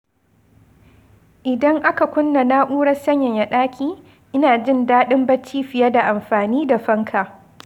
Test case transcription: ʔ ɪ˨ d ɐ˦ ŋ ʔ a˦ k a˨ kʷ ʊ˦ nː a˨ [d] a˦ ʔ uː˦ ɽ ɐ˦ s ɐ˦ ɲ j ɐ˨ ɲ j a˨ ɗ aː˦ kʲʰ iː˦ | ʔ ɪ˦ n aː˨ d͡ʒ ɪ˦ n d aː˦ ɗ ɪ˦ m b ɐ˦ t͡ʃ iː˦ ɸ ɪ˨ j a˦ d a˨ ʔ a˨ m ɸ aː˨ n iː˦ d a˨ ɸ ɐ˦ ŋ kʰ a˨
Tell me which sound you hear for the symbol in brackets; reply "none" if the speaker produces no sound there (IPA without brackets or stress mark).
n